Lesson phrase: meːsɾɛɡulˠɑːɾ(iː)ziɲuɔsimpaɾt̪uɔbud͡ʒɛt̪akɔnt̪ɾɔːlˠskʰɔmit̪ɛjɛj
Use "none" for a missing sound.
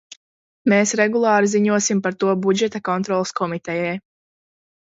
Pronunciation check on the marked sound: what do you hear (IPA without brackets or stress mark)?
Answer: i